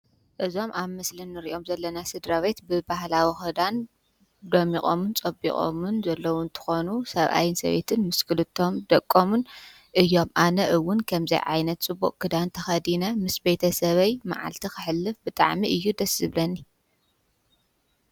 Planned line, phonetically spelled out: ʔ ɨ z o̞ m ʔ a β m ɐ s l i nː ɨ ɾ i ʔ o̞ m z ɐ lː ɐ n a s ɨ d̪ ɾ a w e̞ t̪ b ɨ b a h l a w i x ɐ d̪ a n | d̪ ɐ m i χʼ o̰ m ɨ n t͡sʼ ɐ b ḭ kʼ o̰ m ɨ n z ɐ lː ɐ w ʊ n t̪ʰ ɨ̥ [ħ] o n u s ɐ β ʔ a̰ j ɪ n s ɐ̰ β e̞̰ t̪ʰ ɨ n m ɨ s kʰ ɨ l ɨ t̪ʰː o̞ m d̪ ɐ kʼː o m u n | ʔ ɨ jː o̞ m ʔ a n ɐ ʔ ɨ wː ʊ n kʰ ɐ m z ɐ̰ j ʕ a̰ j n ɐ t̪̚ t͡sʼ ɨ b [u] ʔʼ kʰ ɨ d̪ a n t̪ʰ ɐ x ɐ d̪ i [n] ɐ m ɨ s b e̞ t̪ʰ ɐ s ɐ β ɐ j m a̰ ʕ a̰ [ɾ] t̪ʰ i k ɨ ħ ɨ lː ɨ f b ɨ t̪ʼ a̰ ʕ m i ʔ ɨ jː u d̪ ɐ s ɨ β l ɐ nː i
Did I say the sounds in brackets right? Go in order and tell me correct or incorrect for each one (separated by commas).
incorrect, correct, correct, incorrect